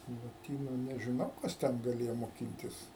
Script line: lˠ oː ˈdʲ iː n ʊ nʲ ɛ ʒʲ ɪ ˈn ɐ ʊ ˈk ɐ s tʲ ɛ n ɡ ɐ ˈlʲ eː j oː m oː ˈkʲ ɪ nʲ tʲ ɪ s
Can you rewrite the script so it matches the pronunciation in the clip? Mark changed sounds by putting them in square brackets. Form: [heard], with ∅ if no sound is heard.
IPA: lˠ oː [ˈtʲ] iː n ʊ nʲ ɛ ʒʲ ɪ ˈn ɐ ʊ ˈk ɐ s tʲ ɛ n ɡ ɐ ˈlʲ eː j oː m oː ˈkʲ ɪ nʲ tʲ ɪ s